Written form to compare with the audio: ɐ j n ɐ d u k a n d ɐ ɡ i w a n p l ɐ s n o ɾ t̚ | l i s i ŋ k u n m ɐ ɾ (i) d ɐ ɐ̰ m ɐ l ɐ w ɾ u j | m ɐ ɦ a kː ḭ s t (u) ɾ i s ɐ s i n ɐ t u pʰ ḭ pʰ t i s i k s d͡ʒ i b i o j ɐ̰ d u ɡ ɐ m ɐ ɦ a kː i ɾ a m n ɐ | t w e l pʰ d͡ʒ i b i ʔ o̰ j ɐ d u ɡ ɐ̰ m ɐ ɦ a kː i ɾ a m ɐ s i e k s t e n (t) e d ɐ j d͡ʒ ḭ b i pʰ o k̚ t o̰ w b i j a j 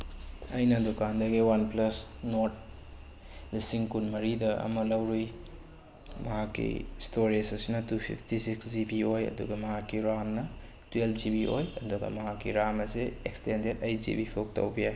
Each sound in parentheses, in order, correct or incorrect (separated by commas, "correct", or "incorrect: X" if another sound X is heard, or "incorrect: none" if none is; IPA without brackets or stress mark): correct, incorrect: o, incorrect: d